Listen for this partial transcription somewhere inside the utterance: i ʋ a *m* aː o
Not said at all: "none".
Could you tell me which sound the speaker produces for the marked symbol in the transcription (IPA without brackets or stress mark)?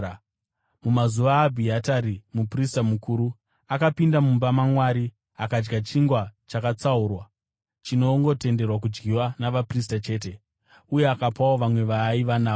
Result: n